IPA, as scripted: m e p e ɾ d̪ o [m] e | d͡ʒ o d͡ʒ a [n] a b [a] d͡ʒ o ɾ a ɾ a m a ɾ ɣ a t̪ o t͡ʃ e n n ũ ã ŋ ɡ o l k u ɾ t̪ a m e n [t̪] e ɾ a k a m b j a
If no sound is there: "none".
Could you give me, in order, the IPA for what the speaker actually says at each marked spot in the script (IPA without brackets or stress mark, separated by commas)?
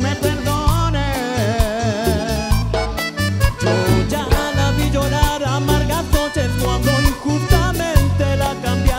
n, n, i, t̪